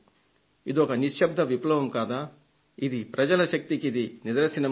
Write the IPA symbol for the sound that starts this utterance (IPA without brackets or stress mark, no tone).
i